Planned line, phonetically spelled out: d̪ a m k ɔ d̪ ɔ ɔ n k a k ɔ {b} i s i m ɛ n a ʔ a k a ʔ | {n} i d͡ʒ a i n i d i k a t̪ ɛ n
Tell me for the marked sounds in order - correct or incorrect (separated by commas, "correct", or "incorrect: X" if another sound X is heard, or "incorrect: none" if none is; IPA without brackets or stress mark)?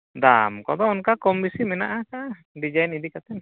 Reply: incorrect: m, incorrect: d